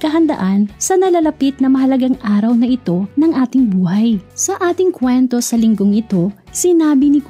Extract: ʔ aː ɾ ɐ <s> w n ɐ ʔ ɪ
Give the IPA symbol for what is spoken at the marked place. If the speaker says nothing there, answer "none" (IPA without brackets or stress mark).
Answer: none